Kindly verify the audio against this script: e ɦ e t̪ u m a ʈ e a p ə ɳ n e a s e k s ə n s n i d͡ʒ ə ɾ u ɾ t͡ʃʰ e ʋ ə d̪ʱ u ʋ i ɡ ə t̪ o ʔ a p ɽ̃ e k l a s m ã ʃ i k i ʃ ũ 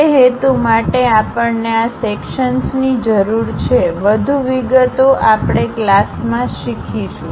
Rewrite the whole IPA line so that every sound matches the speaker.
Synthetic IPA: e ɦ e t̪ u m a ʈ e a p ə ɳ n e a s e k ʃ ə n s n i d͡ʒ ə ɾ u ɾ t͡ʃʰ e ʋ ə d̪ʱ u ʋ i ɡ ə t̪ o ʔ a p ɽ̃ e k l a s m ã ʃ i kʰ i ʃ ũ

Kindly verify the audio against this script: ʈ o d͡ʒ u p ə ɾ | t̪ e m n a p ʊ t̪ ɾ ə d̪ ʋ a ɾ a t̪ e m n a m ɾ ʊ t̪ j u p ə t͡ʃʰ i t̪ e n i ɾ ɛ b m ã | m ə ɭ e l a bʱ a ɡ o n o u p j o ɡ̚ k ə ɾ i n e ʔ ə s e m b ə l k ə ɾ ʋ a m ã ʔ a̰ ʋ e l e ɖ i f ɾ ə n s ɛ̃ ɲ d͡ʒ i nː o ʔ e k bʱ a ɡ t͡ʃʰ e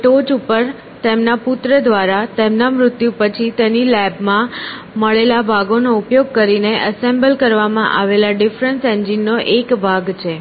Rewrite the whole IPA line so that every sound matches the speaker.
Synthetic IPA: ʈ o d͡ʒ u p ə ɾ | t̪ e m n a p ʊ t̪ ɾ ə d̪ ʋ a ɾ a t̪ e m n a m ɾ ʊ t̪ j u p ə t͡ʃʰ i t̪ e n i l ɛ b m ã | m ə ɭ e l a bʱ a ɡ o n o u p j o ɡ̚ k ə ɾ i n e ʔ ə s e m b ə l k ə ɾ ʋ a m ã ʔ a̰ ʋ e l a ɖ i f ɾ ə n s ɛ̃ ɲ d͡ʒ i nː o ʔ e k bʱ a ɡ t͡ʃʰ e

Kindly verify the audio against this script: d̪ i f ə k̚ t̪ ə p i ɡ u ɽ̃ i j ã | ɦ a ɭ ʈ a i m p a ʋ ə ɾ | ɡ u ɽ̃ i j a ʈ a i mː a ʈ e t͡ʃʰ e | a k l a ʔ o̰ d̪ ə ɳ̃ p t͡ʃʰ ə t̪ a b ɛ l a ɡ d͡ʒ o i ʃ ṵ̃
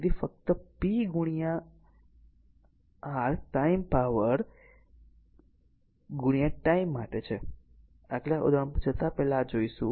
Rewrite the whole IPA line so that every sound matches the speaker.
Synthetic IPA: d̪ i f ə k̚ t̪ ə p i ɡ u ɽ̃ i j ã | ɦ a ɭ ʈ a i m p a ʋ ə ɾ | ɡ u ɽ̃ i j a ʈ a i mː a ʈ e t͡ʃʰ e | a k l a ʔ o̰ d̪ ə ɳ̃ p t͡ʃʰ ə t̪ a p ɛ l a d͡ʒ o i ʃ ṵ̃

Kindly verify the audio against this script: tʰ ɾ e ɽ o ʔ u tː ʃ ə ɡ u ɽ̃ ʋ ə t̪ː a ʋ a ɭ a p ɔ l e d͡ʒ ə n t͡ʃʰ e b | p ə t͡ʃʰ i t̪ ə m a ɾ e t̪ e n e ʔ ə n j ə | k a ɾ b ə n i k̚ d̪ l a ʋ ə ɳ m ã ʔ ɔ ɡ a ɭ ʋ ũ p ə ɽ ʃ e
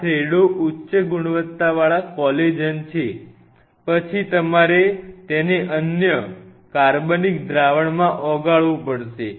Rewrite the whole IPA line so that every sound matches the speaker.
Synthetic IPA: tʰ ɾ e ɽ o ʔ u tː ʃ ə ɡ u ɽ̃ ʋ ə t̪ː a ʋ a ɭ a k ɔ l e d͡ʒ ə n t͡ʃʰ e | p ə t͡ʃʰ i t̪ ə m a ɾ e t̪ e n e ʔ ə n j ə | k a ɾ b ə n i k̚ d̪ ɾ a ʋ ə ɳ m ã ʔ ɔ ɡ a ɭ ʋ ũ p ə ɽ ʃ e

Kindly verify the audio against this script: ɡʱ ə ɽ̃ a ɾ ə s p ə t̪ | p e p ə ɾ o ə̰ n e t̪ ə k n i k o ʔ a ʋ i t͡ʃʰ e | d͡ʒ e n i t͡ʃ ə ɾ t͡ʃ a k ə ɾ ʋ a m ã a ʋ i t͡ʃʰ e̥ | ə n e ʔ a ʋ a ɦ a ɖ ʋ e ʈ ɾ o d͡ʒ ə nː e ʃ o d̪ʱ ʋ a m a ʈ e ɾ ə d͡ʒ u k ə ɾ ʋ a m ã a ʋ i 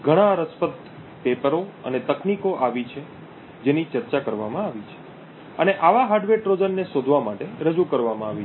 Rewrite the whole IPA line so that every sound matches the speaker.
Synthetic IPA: ɡʱ ə ɽ̃ a ɾ ə s p ə t̪ | p e p ə ɾ o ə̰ n e t̪ ə k n i k o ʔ a ʋ i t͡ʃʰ e | d͡ʒ e n i t͡ʃ ə ɾ t͡ʃ a k ə ɾ ʋ a m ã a ʋ i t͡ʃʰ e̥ | ə n e ʔ a ʋ a ɦ a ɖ ʋ e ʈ ɾ o d͡ʒ ə nː e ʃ o d̪ʱ ʋ a m a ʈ e ɾ ə d͡ʒ u k ə ɾ ʋ a m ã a ʋ i

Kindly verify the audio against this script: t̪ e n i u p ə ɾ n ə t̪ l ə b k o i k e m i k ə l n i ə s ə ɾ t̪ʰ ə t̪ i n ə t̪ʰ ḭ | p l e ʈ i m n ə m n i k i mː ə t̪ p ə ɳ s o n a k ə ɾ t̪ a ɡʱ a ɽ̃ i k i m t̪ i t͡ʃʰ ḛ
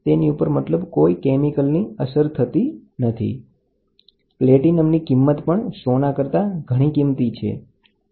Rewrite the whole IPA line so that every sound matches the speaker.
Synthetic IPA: t̪ e n i u p ə ɾ m ə t̪ l ə b k o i k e m i k ə l n i ə s ə ɾ t̪ʰ ə t̪ i n ə t̪ʰ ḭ | p l e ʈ i n ə m n i k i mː ə t̪ p ə ɳ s o n a k ə ɾ t̪ a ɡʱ ə ɽ̃ i k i m t̪ i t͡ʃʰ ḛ

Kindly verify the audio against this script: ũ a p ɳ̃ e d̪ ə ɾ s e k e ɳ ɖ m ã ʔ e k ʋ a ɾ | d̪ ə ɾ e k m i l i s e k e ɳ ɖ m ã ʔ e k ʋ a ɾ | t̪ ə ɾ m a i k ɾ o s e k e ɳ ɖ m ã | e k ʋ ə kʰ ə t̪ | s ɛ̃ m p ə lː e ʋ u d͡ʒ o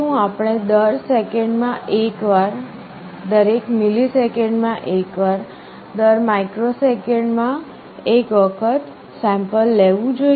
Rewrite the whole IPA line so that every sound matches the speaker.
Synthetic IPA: ũ a p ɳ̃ e d̪ ə ɾ s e k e ɳ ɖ m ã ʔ e k ʋ a ɾ | d̪ ə ɾ e k m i l i s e k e ɳ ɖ m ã ʔ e k ʋ a ɾ | d̪ ə ɾ m a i k ɾ o s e k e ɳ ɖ m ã | e k ʋ ə kʰ ə t̪ | s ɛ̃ m p ə lː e ʋ ũ d͡ʒ o

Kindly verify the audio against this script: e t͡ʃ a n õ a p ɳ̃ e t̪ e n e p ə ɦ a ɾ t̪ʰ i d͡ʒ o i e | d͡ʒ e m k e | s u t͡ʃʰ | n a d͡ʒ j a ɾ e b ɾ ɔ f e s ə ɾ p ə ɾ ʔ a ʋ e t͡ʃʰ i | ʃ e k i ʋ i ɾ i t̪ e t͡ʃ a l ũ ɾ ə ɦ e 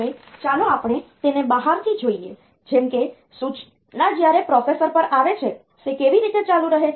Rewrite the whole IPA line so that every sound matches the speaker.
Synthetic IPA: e t͡ʃ a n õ a p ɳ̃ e t̪ e n e b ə ɦ a ɾ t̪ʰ i d͡ʒ o i e | d͡ʒ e m k e | s u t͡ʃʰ | n a d͡ʒ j a ɾ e p ɾ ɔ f e s ə ɾ p ə ɾ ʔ a ʋ e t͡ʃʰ e | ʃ e k e ʋ i ɾ i t̪ e t͡ʃ a l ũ ɾ ə ɦ e

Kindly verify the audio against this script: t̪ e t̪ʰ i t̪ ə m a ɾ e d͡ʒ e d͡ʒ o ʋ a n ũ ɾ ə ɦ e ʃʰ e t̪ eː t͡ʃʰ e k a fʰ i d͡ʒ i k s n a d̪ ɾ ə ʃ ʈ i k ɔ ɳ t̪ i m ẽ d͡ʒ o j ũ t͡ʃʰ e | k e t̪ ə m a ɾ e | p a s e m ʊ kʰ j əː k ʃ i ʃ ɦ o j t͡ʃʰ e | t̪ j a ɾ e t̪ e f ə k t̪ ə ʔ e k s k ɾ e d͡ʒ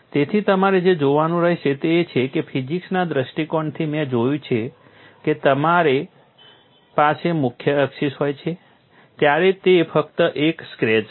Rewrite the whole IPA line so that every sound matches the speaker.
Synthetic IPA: t̪ e t̪ʰ i t̪ ə m a ɾ e d͡ʒ e d͡ʒ o ʋ a n ũ ɾ ə ɦ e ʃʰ e t̪ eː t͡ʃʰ e k e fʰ i d͡ʒ i k s n a d̪ ɾ ə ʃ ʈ i k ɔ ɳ t̪ʰ i m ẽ d͡ʒ o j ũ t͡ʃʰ e | k e t̪ ə m a ɾ e | p a s e m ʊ kʰ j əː k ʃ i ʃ ɦ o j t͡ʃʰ e | t̪ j a ɾ e t̪ e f ə k t̪ ə ʔ e k s k ɾ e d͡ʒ

